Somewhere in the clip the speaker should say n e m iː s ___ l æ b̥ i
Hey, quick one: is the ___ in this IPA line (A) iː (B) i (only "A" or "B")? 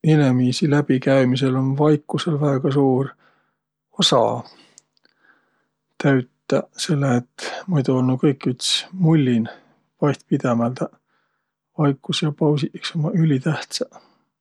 B